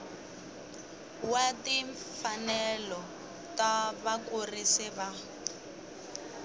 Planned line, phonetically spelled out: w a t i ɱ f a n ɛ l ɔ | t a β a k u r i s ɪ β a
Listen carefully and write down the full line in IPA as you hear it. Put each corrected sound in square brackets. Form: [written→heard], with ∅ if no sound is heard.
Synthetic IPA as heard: w a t i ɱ f a n ɛ l ɔ | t a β a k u r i s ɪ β a